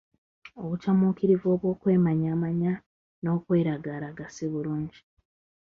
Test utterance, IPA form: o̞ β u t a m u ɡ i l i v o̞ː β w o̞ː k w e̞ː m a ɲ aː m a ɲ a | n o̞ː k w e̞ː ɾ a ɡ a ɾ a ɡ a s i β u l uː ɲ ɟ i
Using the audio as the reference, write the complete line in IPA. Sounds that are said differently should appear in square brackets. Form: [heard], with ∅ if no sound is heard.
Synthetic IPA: o̞ β u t a m u [k] i [ɾ] i v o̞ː β w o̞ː k w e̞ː m a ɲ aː m a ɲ a | n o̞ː k w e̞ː ɾ a ɡ a ɾ a ɡ a s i β u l uː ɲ ɟ i